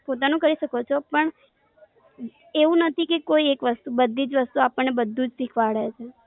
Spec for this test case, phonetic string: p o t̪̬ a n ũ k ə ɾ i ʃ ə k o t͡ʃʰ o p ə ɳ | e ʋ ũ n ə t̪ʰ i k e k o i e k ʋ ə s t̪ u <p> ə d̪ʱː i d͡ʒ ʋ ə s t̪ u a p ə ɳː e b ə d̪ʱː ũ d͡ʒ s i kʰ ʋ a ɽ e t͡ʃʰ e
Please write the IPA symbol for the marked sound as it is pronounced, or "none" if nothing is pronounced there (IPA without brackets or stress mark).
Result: b